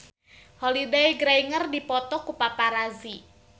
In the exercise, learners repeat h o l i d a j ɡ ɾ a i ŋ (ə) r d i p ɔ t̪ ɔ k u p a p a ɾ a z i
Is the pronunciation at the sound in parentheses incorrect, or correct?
correct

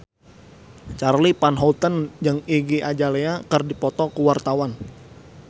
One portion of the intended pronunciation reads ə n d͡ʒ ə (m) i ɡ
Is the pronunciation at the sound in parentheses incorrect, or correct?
incorrect: ŋ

